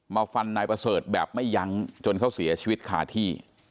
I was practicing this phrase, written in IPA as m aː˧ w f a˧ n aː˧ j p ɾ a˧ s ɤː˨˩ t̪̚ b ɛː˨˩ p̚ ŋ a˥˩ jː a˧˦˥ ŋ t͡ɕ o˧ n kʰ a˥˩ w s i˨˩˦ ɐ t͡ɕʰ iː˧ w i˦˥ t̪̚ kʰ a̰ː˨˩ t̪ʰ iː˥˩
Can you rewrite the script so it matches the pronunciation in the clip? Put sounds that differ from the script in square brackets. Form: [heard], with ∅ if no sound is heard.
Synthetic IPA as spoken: m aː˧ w f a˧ [nː] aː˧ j p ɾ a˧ s ɤː˨˩ t̪̚ b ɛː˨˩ p̚ [m] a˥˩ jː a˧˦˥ ŋ t͡ɕ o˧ n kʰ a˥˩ w s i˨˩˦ ɐ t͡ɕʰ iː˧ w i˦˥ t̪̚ kʰ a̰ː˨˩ t̪ʰ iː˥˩